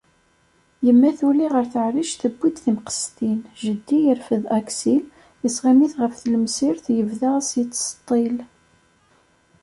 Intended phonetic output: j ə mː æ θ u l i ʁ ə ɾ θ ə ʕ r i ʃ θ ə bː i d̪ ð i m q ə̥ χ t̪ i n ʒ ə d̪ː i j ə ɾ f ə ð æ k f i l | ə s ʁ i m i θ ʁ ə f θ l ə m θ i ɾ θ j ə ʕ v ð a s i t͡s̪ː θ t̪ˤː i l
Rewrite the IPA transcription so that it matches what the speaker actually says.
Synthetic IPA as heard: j ə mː æ θ u l i ʁ ə ɾ θ ə ʕ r i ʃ θ ə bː i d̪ θ i m q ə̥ s t̪ i n ʒ ə d̪ː i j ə ɾ f ə ð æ k s i l | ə s ʁ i m i θ ʁ ə f θ l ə m s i ɾ θ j ə v ð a s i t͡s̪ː s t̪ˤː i l